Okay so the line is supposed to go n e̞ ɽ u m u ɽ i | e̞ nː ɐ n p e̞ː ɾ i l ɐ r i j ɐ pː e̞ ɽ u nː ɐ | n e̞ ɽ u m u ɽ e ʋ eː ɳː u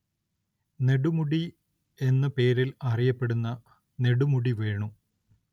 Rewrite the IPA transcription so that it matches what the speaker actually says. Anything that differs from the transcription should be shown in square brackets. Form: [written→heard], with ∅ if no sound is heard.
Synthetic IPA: n e̞ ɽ u m u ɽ i | e̞ nː ɐ [n→∅] p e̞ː ɾ i l ɐ r i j ɐ pː e̞ ɽ u nː ɐ | n e̞ ɽ u m u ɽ [e→i] ʋ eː [ɳː→ɳ] u